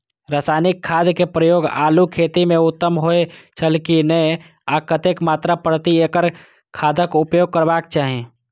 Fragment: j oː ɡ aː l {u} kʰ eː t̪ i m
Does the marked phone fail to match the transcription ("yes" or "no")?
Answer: no